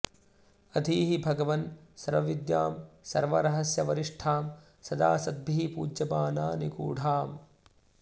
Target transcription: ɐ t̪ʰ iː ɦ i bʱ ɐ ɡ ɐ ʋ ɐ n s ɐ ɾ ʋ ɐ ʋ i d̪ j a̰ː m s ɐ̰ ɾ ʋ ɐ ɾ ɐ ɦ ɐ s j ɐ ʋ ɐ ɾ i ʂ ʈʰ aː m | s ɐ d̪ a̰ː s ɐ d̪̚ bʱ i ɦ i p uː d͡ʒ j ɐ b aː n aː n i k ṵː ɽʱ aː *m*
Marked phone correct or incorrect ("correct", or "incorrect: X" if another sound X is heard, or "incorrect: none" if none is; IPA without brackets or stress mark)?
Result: correct